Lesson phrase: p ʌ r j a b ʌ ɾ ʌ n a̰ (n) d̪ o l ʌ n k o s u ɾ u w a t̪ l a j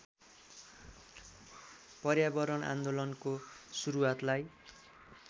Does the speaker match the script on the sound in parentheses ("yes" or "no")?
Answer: yes